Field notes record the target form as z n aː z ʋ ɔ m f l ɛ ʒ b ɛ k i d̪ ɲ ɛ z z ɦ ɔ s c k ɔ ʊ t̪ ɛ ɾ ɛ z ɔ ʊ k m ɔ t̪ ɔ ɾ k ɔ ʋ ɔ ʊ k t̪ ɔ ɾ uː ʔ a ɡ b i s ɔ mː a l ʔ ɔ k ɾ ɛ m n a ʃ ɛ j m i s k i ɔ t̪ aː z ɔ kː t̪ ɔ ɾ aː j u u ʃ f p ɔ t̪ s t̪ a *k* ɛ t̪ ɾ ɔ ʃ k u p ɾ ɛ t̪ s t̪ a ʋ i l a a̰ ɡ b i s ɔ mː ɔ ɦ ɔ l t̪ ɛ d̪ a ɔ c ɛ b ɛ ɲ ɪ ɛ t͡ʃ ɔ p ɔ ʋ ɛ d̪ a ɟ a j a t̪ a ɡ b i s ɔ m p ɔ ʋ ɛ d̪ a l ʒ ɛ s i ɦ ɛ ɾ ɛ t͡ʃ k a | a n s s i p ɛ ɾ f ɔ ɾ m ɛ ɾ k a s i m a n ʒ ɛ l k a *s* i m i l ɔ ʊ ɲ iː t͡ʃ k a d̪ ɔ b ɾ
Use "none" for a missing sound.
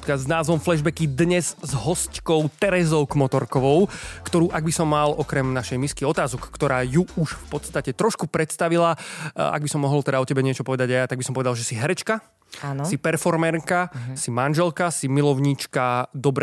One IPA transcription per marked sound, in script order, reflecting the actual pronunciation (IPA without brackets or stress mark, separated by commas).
c, s